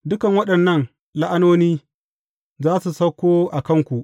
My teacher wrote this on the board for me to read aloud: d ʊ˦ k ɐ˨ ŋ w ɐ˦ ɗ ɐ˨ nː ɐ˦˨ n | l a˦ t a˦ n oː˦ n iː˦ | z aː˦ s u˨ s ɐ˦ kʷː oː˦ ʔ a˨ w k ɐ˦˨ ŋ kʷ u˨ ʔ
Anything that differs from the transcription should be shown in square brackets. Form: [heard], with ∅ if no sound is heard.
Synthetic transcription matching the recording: d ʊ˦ k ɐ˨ ŋ w ɐ˦ ɗ ɐ˨ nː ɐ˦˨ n | l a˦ [ʔ] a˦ n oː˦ n iː˦ | z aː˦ s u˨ s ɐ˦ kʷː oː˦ ʔ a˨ [∅] k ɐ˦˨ ŋ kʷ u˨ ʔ